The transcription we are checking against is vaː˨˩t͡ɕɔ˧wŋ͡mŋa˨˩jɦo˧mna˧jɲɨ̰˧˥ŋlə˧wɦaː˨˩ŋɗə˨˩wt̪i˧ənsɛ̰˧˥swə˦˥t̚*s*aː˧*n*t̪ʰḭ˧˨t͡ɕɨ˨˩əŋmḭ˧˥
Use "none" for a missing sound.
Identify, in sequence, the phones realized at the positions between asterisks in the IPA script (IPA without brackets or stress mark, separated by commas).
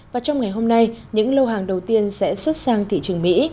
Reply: s, ŋ